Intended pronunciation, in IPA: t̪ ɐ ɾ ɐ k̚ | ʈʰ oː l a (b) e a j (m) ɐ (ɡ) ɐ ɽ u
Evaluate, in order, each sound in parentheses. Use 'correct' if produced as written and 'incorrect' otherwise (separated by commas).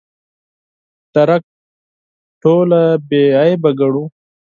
correct, incorrect, correct